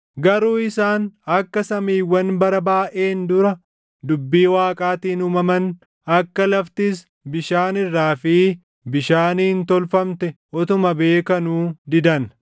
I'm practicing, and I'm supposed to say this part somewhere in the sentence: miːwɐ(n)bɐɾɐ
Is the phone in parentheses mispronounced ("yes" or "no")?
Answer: no